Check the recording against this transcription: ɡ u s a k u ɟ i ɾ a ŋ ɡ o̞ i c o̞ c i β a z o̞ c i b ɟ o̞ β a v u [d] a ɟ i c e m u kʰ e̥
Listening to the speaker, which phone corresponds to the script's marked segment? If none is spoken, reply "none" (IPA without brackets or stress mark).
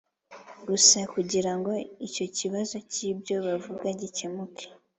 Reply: ɡ